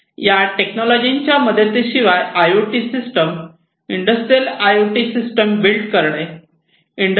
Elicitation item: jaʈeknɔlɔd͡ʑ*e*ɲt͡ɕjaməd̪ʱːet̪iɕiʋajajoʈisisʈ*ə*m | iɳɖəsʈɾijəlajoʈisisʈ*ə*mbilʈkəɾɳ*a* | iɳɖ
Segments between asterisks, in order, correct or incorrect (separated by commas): incorrect, correct, correct, incorrect